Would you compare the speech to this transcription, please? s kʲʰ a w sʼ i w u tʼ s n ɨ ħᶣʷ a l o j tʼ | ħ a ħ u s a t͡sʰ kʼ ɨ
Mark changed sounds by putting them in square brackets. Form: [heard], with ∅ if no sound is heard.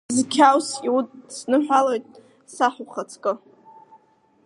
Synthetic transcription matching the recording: [z] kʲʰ a w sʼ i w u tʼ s n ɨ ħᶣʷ a l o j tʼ | [s] a ħ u [χ] a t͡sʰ kʼ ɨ